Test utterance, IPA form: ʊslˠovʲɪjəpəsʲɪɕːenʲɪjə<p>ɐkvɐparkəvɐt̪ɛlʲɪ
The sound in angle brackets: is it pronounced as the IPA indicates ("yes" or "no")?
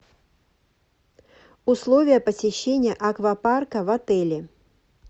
no